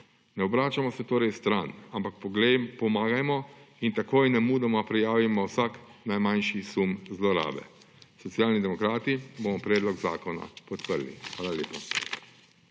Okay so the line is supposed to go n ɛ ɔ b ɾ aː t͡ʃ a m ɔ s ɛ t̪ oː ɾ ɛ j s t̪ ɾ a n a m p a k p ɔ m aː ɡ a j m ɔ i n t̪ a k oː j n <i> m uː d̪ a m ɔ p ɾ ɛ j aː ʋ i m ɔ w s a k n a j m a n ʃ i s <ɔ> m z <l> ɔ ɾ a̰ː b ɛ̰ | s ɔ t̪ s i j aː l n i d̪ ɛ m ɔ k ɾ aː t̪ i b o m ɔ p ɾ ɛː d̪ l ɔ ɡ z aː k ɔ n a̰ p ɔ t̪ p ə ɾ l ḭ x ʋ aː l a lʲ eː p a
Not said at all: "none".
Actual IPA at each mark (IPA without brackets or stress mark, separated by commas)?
ɛ, u, l